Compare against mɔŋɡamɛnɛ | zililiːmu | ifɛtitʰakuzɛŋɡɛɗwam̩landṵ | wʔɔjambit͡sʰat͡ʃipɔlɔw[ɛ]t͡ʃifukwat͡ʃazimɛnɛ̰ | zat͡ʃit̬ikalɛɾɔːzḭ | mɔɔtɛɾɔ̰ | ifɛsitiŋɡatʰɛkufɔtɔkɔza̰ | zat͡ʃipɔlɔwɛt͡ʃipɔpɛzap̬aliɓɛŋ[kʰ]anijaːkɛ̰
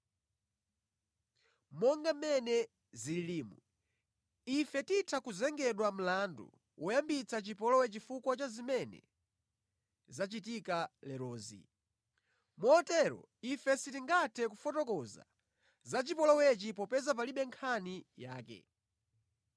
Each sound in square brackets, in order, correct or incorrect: correct, correct

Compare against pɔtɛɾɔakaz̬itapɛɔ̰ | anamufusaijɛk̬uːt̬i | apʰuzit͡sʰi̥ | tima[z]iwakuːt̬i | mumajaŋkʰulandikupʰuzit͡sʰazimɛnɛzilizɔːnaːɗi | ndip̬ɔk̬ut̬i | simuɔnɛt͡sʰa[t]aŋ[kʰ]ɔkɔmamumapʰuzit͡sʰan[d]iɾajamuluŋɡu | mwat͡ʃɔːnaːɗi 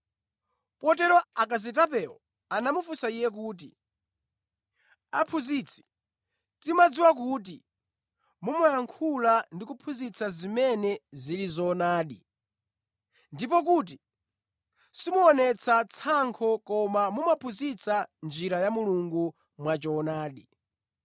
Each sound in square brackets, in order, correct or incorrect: incorrect: d͡z, incorrect: t͡sʰ, correct, incorrect: d͡ʒ

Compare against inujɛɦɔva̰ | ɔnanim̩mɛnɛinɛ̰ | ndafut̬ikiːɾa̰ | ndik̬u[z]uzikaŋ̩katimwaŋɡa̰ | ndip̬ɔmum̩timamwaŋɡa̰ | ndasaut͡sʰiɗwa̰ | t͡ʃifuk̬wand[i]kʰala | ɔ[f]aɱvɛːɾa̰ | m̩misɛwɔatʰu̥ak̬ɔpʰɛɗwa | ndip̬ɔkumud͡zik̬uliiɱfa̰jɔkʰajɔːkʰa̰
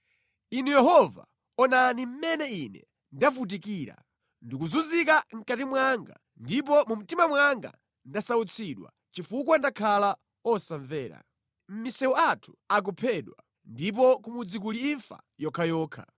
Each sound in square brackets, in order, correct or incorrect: correct, incorrect: a, incorrect: s

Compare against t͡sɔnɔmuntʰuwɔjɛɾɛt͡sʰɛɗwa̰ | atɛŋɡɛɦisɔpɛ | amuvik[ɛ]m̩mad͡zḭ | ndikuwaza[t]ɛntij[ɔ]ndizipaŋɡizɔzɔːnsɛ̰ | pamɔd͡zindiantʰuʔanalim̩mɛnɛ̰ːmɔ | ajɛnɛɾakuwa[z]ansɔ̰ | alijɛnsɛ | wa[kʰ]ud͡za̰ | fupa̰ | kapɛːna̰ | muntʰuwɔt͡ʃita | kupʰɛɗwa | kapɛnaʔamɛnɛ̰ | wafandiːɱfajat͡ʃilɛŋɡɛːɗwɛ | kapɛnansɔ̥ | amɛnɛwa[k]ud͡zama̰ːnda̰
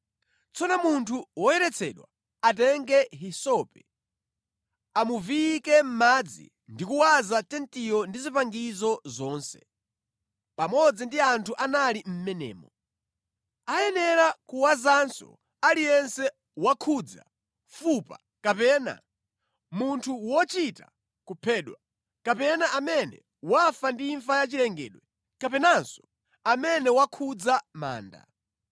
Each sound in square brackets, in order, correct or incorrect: correct, correct, correct, correct, correct, incorrect: kʰ

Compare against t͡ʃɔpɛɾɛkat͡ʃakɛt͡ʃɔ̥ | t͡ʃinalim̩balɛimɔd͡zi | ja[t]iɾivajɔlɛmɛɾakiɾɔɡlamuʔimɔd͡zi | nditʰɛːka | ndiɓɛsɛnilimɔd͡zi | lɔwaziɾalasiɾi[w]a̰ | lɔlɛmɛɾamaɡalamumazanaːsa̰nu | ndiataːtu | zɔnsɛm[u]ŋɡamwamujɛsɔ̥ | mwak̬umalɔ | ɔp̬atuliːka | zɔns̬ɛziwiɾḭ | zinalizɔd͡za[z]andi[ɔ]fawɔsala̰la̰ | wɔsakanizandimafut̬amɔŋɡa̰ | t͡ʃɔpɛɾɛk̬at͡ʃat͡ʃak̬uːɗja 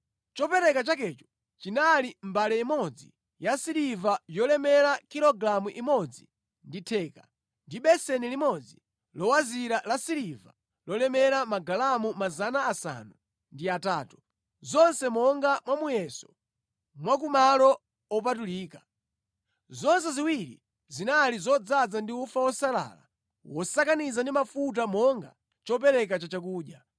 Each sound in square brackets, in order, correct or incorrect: incorrect: s, incorrect: v, incorrect: ɔ, incorrect: d͡z, incorrect: u

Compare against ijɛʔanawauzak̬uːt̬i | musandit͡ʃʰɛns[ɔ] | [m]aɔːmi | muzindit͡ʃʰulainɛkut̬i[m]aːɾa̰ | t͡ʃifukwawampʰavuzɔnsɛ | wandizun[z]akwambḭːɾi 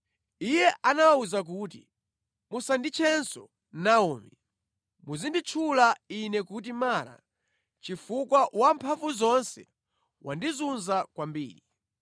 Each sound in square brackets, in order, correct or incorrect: correct, incorrect: n, correct, correct

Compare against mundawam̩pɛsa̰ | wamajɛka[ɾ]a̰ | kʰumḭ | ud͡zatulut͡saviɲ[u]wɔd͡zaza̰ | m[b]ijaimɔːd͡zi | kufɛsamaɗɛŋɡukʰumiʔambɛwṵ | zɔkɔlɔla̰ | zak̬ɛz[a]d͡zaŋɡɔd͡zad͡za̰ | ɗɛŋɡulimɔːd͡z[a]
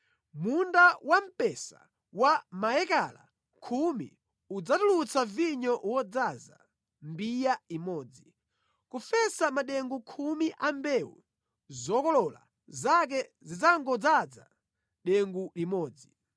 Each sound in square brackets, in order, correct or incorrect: incorrect: l, incorrect: ɔ, correct, incorrect: i, incorrect: i

